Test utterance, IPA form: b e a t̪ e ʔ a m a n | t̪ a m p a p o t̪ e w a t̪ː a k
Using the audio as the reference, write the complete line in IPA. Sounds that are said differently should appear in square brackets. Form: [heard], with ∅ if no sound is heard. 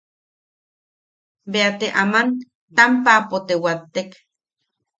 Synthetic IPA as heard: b e a t̪ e ʔ a m a n | t̪ a m p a p o t̪ e w a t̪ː [e] k